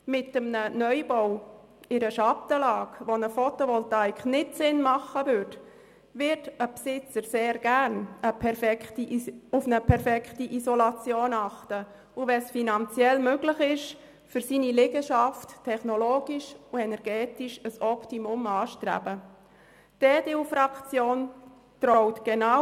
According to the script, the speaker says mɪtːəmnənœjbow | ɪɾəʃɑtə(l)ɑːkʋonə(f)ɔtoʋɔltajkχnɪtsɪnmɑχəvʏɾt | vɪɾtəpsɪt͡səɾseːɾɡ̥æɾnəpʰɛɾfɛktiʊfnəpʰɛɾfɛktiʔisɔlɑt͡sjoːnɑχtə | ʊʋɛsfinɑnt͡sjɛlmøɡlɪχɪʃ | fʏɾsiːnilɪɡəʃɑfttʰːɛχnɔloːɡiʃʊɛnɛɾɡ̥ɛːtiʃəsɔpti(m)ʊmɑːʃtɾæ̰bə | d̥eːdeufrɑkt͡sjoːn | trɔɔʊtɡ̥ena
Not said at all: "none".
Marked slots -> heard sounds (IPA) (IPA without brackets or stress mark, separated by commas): l, f, m